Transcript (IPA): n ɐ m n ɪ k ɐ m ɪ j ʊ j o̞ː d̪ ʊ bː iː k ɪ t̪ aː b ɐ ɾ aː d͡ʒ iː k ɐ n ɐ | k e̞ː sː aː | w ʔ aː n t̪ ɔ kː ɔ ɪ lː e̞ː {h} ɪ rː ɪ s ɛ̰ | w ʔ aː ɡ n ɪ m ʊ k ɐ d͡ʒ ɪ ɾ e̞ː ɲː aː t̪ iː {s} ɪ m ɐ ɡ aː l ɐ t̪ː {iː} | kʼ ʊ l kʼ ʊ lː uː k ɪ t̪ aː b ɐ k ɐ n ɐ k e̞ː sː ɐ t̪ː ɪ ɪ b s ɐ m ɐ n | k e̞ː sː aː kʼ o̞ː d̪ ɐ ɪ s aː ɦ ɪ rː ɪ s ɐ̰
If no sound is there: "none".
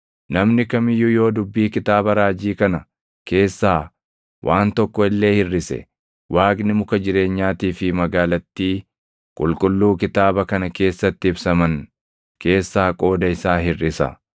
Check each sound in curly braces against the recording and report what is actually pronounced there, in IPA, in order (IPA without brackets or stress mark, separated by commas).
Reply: h, f, iː